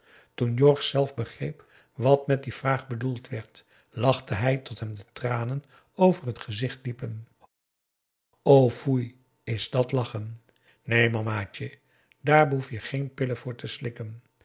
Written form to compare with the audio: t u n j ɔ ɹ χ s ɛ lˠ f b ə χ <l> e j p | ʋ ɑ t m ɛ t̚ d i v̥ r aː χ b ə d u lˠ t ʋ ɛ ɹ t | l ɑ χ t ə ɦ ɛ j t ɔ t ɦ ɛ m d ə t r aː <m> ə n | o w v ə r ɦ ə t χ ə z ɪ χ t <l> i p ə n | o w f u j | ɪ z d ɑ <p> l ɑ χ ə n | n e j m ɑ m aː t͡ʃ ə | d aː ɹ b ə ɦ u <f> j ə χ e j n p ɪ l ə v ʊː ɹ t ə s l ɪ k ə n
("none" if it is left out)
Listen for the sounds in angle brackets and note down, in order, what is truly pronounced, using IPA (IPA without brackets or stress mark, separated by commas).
r, n, l, t, f